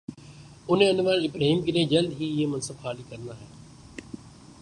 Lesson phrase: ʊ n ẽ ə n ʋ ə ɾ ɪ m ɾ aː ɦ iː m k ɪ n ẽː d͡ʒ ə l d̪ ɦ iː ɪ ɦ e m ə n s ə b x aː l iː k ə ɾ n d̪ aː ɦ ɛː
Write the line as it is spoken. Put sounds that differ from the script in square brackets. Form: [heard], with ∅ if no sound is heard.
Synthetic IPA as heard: ʊ n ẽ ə n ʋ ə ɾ ɪ [b] ɾ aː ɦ iː m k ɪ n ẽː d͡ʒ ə l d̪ ɦ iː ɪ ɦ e m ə n s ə b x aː l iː k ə ɾ n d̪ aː ɦ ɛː